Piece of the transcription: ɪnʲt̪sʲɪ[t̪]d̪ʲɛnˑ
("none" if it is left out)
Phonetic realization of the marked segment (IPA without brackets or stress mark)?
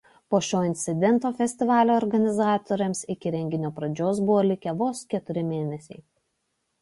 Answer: none